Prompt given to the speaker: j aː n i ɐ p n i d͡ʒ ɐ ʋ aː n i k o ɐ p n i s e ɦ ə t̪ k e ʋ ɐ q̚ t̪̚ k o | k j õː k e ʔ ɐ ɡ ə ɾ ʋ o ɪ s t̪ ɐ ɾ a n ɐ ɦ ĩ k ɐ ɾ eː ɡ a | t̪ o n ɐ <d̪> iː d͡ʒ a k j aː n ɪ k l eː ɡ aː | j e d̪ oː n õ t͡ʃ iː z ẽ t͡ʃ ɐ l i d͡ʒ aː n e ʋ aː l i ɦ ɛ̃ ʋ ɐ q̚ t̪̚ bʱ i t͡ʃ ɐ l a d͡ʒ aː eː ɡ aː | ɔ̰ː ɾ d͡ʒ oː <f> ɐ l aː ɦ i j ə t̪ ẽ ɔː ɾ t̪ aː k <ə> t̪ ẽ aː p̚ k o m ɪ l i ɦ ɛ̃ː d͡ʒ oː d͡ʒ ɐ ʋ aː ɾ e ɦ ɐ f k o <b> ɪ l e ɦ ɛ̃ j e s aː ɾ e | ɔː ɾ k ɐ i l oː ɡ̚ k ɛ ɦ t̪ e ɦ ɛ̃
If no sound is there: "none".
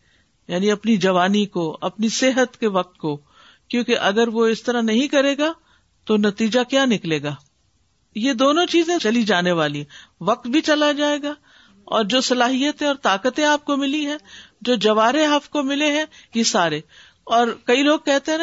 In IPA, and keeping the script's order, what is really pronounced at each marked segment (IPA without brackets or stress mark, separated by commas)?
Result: t̪, s, ə, m